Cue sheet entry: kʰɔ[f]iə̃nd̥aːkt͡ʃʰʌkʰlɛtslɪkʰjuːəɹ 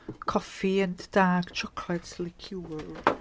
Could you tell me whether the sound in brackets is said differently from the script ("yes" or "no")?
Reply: no